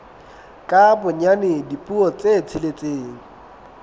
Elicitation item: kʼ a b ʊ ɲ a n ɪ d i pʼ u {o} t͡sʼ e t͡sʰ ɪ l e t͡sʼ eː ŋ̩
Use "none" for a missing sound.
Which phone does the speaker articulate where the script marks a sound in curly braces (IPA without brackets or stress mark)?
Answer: ɔ